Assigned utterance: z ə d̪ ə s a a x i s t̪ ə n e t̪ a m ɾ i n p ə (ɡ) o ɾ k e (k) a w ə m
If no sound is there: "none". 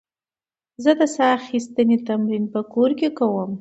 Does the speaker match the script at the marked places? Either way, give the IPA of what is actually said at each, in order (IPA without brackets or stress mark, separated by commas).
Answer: k, k